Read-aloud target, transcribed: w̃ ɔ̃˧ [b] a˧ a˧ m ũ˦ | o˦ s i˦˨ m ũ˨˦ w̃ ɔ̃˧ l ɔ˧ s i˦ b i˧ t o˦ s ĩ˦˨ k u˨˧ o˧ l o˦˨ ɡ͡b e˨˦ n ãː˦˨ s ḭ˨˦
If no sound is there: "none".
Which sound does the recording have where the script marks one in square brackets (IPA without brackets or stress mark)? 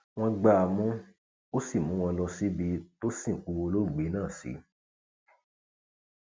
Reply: ɡ͡b